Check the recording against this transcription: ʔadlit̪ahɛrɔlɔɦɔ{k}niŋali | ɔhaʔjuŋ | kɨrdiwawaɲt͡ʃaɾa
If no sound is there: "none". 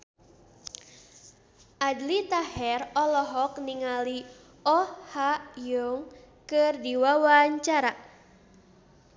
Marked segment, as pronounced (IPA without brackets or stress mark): k